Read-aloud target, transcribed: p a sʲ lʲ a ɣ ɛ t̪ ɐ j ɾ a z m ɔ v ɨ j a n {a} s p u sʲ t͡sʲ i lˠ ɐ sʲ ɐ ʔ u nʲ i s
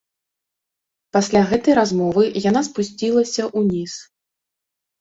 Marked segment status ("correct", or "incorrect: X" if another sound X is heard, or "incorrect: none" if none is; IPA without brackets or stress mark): correct